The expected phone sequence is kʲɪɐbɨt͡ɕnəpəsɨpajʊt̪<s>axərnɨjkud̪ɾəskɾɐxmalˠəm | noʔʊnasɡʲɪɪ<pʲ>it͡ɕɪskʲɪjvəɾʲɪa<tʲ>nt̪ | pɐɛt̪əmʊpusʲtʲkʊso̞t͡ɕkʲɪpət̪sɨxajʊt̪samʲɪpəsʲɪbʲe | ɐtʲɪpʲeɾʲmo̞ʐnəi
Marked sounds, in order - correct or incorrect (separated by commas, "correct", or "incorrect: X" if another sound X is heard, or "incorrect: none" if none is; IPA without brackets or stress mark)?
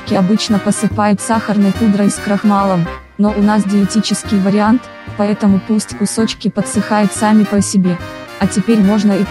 correct, incorrect: tʲ, incorrect: none